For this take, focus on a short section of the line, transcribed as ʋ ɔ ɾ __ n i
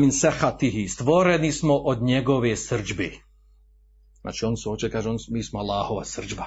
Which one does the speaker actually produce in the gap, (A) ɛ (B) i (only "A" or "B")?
A